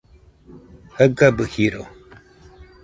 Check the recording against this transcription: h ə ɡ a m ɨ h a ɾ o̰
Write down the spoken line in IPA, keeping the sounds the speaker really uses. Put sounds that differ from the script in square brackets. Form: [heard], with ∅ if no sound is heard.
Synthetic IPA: h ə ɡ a [b] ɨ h [i] ɾ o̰